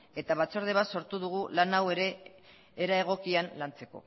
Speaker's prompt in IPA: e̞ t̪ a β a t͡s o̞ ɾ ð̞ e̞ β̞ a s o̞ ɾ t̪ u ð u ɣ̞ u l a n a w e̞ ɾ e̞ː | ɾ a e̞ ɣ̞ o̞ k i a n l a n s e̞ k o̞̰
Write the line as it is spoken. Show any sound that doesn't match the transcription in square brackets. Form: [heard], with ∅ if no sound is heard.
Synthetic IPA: e̞ t̪ a β a t͡s o̞ ɾ ð̞ e̞ β̞ a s o̞ ɾ t̪ u ð u ɣ̞ u l a n a w e̞ ɾ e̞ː | ɾ a e̞ ɣ̞ o̞ k i a n l a n [t͡s] e̞ k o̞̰